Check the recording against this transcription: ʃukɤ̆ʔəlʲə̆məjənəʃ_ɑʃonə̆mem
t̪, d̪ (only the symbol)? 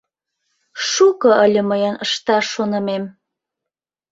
t̪